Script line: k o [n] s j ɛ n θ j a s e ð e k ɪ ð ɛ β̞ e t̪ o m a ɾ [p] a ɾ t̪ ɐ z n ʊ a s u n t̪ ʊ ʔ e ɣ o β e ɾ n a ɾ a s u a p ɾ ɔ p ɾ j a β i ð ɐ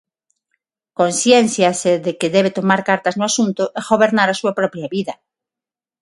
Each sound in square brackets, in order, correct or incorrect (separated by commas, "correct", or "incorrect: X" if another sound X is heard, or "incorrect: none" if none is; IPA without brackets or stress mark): correct, incorrect: k